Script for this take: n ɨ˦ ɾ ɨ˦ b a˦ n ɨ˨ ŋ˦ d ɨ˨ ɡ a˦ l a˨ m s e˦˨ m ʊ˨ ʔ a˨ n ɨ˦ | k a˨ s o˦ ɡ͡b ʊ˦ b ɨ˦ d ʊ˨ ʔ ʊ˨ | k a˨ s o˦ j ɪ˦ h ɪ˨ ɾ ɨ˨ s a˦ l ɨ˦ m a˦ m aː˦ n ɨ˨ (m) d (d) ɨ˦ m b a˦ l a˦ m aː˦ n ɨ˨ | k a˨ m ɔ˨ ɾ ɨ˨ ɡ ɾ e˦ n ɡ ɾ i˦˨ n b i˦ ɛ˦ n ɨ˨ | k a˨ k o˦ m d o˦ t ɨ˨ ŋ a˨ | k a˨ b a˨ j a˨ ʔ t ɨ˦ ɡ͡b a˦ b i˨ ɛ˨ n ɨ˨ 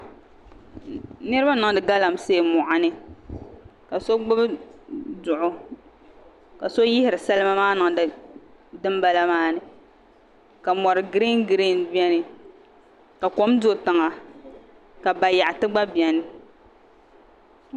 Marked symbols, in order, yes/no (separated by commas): no, yes